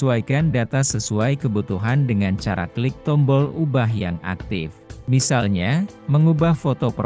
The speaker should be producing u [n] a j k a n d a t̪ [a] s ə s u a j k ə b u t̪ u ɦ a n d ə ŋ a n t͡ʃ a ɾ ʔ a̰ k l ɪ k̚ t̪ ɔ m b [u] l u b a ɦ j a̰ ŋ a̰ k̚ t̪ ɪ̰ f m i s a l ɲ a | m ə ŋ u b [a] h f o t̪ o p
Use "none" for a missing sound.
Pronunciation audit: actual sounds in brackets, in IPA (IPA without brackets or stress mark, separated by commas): none, a, ɔ, a